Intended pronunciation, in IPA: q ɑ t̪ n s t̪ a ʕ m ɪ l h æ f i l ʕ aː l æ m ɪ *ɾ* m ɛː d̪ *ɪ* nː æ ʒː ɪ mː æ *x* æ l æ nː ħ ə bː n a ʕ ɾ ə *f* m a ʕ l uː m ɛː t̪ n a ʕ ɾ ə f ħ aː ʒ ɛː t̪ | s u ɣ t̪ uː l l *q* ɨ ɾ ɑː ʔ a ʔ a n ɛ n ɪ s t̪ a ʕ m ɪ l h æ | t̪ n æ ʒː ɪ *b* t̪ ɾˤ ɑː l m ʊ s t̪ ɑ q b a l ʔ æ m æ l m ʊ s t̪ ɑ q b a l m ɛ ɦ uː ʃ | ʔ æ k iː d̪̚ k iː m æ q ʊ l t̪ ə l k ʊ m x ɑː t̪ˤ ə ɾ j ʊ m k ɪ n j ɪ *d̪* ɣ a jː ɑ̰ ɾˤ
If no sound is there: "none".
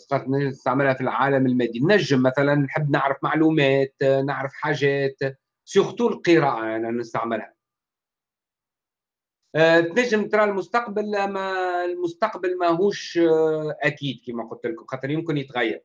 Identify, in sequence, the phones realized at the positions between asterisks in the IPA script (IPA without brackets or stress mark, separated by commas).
l, i, θ, f, q, m, t̪